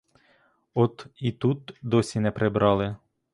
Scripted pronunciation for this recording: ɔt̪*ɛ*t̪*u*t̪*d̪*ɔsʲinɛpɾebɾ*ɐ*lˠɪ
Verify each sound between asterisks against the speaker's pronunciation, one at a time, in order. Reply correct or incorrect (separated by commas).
incorrect, correct, correct, incorrect